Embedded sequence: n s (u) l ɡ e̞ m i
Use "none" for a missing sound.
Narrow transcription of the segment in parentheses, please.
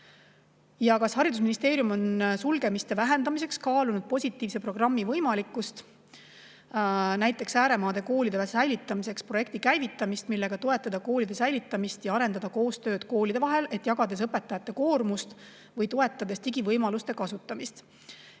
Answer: u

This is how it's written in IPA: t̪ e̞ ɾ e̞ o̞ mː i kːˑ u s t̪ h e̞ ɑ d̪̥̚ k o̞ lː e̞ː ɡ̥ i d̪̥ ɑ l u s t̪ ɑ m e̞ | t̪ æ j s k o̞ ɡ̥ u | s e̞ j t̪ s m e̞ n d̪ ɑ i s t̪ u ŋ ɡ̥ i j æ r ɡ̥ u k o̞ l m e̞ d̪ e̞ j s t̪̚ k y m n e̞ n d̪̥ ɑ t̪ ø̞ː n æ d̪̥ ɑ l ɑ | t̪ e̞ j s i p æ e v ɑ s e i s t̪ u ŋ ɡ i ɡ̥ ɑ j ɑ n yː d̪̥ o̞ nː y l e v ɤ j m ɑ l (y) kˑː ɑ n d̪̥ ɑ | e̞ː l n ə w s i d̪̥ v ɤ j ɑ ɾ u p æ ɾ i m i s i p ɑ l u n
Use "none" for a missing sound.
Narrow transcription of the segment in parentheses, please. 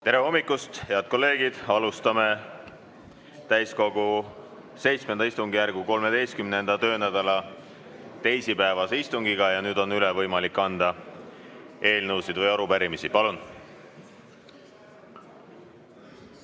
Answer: i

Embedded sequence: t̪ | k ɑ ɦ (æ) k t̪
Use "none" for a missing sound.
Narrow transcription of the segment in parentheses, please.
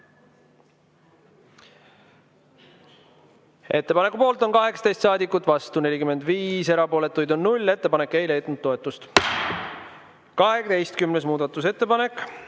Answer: e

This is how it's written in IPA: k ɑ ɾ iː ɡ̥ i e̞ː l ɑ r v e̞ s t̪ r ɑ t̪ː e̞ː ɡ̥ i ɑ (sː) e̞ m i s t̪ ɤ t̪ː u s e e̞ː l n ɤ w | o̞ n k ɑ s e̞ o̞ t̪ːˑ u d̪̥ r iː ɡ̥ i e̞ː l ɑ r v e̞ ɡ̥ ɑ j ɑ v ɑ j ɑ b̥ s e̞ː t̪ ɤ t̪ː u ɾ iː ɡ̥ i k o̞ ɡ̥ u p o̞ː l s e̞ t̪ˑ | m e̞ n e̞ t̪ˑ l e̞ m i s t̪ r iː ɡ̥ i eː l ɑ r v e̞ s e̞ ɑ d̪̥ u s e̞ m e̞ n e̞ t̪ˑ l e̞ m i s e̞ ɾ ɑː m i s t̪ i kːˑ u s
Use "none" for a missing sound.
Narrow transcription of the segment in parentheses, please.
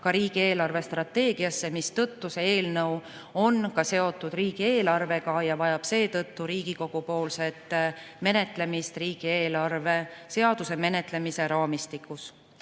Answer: sː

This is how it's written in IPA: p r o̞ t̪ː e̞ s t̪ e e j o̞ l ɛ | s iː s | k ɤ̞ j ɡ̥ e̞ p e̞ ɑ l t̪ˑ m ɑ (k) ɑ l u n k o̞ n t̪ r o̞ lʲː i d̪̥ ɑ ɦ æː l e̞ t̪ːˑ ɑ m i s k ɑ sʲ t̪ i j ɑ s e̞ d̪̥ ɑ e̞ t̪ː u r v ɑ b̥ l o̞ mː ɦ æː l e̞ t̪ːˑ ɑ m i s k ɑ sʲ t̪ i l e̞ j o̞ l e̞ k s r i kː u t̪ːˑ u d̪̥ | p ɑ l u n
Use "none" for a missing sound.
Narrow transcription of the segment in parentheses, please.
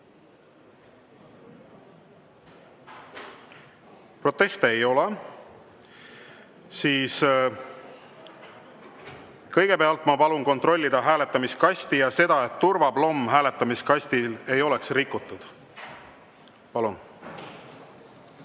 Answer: p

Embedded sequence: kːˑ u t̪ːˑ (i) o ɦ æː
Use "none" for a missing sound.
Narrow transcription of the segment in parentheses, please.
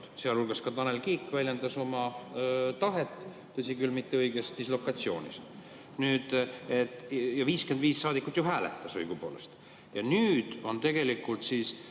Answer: j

